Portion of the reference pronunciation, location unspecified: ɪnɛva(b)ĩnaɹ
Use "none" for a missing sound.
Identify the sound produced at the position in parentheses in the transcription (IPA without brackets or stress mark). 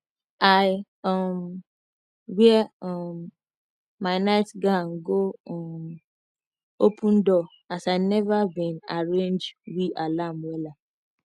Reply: b